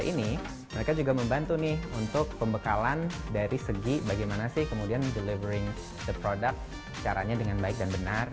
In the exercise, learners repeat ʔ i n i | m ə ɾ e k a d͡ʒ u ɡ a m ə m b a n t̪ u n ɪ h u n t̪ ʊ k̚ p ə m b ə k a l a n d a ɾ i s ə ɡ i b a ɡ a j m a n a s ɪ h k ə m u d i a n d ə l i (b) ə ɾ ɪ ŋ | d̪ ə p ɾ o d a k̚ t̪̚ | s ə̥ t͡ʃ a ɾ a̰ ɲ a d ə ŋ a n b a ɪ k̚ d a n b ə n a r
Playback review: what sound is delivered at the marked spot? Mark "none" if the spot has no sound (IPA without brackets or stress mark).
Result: v